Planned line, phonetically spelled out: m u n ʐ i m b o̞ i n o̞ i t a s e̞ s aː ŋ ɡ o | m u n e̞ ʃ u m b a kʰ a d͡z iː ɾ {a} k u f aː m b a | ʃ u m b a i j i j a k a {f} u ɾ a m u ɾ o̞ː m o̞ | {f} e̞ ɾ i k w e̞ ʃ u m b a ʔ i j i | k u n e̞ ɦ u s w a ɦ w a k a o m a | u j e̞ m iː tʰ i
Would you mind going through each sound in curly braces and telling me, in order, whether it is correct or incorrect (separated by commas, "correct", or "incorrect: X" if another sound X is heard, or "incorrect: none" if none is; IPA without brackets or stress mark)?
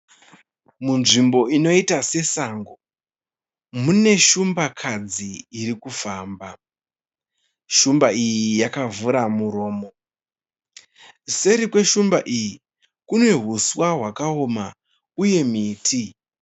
incorrect: i, incorrect: v, incorrect: s